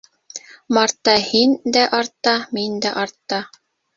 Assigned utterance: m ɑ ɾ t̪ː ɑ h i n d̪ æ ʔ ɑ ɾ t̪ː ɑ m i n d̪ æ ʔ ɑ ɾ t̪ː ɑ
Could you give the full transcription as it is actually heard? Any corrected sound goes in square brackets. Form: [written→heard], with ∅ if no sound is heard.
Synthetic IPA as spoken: m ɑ ɾ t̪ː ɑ h i n d̪ æ ʔ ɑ ɾ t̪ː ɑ m i n d̪ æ ʔ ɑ ɾ t̪ː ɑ